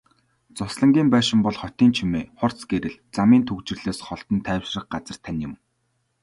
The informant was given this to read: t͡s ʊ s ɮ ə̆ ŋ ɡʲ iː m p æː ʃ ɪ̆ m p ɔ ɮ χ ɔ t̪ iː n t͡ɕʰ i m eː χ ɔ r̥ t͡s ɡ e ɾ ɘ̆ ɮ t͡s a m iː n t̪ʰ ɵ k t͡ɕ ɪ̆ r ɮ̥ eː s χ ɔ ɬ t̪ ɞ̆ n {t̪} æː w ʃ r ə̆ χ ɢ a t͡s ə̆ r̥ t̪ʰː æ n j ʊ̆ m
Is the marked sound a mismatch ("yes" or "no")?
yes